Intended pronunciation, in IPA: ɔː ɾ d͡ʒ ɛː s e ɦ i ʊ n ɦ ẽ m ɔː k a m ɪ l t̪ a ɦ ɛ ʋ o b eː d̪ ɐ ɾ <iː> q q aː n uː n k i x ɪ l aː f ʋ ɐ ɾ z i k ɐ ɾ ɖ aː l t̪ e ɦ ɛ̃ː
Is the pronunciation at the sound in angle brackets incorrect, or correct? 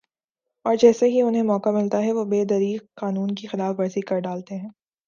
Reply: correct